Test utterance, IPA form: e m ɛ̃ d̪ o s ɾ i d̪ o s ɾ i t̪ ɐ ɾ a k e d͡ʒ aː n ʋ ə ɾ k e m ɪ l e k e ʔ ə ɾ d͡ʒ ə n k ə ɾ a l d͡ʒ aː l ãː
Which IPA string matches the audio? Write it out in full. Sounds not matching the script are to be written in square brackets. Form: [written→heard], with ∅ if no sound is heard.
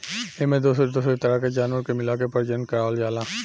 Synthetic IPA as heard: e m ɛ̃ d̪ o s ɾ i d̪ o s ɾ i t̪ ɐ ɾ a k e d͡ʒ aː n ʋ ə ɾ k e m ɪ l [e→a] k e [ʔ→p] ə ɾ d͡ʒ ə n k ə ɾ a l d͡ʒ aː l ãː